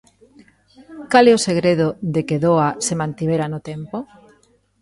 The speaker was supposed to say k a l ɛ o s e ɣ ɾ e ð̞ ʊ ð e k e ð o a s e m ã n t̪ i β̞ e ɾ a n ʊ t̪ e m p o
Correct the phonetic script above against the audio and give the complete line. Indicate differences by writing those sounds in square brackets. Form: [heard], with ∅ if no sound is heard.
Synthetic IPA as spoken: k a l ɛ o s e ɣ ɾ e ð̞ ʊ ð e k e ð o a s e m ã n t̪ i β̞ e ɾ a n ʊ t̪ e m p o